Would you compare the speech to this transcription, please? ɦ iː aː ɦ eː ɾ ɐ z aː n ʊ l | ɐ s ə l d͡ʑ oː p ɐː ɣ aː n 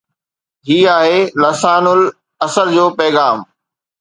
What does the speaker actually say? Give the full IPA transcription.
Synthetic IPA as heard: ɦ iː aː ɦ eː l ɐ s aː n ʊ l | ɐ s ə l d͡ʑ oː p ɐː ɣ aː m